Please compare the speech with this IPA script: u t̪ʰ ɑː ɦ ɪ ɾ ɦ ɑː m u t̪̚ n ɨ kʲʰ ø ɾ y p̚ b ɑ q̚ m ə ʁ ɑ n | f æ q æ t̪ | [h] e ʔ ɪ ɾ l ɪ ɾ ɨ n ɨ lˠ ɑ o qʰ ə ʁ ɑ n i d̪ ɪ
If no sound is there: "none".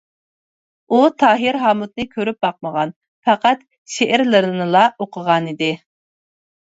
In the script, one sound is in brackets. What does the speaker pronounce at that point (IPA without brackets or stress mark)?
ʃ